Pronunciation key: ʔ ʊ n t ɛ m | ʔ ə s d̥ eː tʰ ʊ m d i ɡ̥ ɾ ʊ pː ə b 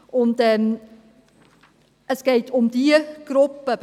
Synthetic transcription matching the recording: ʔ ʊ n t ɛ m | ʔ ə s ɡ̥ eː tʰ ʊ m d i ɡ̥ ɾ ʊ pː ə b